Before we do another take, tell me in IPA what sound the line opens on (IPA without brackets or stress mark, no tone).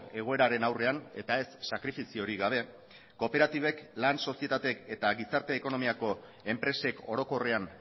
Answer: e̞